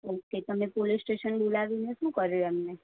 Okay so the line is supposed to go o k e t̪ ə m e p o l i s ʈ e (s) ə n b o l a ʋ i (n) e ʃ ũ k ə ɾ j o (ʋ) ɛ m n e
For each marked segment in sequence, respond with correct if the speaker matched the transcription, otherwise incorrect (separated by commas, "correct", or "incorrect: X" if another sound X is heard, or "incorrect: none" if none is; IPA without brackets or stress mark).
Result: incorrect: ʃ, correct, incorrect: none